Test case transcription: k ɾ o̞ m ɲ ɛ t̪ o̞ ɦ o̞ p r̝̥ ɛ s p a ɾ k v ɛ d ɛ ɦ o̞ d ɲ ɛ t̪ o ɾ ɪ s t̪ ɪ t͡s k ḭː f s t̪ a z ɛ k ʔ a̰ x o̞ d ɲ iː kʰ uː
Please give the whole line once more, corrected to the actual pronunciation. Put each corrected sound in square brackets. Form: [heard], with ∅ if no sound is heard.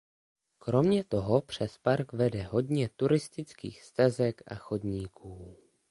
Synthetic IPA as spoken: k ɾ o̞ m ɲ ɛ t̪ o̞ ɦ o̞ p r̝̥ ɛ s p a ɾ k v ɛ d ɛ ɦ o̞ d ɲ ɛ t̪ [u] ɾ ɪ s t̪ ɪ t͡s k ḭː [x] s t̪ a z ɛ k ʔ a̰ x o̞ d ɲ iː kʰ uː